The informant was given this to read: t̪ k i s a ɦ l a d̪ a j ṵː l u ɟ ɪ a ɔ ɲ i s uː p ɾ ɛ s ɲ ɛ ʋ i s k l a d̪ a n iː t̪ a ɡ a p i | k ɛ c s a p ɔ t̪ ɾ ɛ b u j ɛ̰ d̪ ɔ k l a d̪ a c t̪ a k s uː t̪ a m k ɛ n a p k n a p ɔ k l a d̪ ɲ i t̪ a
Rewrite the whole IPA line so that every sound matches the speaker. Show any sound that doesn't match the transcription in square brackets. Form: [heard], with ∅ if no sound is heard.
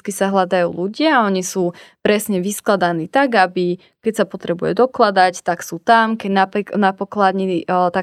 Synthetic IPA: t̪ k i s a ɦ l a d̪ a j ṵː l u ɟ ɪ a ɔ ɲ i s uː p ɾ ɛ s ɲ ɛ ʋ i s k l a d̪ a n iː t̪ a ɡ a [b] i | k ɛ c s a p ɔ t̪ ɾ ɛ b u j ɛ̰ d̪ ɔ k l a d̪ a c t̪ a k s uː t̪ a m k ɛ n a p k n a p ɔ k l a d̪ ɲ i t̪ a